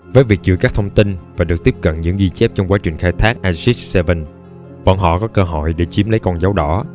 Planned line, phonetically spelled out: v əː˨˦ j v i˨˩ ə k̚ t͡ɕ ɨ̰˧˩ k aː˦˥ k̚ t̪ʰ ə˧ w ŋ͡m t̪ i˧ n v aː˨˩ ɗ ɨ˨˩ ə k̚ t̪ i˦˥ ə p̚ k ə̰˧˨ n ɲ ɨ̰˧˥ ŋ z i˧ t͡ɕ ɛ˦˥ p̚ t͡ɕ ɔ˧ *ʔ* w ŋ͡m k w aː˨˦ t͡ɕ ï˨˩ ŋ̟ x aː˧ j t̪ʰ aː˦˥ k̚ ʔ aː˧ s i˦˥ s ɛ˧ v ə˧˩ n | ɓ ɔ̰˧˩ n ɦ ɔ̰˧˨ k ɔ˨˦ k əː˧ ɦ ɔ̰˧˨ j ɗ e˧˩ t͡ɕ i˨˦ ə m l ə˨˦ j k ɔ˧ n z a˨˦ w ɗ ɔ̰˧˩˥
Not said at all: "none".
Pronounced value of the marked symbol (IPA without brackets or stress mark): none